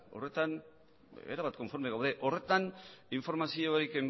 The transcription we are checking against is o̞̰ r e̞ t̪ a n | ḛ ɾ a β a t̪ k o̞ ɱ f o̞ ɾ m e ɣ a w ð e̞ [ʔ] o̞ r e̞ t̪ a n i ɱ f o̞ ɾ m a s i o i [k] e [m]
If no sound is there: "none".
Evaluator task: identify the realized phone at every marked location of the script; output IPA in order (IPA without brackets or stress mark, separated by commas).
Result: ʔ, k, m